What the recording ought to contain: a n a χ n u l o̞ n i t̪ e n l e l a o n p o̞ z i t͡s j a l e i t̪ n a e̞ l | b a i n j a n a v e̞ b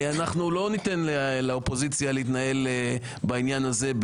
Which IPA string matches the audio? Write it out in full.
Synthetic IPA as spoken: a n a χ n u l o̞ n i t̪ e n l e l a o p o̞ z i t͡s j a l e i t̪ n a e̞ l | b a i n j a n a z e̞ b